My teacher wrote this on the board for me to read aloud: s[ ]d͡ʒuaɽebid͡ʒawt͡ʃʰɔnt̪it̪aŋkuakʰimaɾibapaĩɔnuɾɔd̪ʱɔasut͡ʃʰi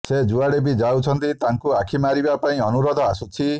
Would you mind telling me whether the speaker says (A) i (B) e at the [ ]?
B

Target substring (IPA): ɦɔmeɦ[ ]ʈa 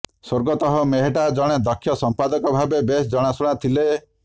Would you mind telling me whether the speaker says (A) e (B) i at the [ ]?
A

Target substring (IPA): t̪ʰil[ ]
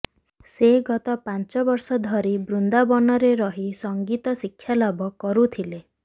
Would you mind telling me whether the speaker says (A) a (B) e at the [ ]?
B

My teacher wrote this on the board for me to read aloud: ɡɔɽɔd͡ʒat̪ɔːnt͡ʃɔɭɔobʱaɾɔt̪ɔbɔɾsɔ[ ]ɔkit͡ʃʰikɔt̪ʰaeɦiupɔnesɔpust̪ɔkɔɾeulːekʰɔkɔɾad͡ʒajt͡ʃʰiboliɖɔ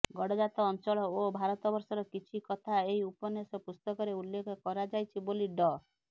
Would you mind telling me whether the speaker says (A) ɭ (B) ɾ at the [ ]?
B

